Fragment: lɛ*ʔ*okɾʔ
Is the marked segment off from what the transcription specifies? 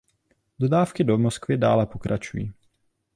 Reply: yes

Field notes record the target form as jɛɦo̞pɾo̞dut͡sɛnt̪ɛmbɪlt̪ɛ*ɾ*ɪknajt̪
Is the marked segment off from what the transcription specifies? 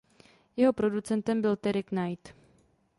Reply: no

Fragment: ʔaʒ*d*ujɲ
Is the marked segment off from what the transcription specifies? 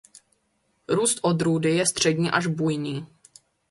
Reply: yes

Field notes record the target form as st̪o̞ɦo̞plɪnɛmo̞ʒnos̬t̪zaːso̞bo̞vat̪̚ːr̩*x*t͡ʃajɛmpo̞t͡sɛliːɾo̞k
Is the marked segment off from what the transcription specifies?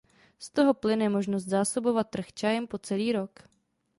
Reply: no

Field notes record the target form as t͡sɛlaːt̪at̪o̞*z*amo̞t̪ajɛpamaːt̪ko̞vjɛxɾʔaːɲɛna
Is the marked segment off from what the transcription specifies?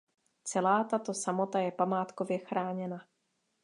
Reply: yes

